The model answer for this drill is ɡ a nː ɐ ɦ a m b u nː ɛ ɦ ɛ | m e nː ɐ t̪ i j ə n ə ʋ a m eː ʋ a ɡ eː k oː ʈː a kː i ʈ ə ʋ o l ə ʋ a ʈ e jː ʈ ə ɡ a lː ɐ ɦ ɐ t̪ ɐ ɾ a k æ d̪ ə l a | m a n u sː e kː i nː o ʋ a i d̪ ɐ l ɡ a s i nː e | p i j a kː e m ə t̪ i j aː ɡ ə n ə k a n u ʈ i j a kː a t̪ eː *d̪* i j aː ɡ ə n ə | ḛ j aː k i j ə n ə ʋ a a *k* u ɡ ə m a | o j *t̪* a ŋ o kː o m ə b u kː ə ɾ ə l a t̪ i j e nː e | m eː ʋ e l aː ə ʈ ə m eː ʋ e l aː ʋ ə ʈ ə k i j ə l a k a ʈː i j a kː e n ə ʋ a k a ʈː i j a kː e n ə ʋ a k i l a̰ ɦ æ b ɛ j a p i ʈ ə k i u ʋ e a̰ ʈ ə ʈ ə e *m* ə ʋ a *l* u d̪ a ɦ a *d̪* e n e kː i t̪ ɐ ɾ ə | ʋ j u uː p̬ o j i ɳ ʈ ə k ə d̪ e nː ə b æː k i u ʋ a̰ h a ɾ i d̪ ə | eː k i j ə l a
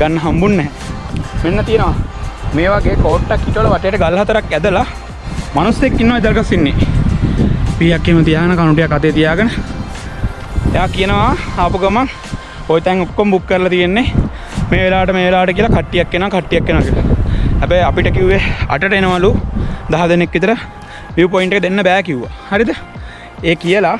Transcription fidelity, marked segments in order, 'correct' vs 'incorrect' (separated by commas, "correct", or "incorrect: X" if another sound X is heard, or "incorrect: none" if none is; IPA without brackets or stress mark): incorrect: t̪, incorrect: p, correct, incorrect: n, correct, correct